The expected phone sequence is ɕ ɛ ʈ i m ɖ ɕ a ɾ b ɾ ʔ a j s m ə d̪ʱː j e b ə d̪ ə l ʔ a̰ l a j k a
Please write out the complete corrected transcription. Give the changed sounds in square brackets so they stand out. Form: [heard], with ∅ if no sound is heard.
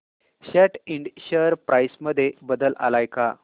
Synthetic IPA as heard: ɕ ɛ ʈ i [ɳ] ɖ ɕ [ə] ɾ [p] ɾ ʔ a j s m ə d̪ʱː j e b ə d̪ ə l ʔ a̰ l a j k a